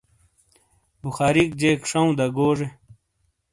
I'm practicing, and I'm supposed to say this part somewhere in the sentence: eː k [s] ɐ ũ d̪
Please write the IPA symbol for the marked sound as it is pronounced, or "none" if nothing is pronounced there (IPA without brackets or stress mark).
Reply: ʂ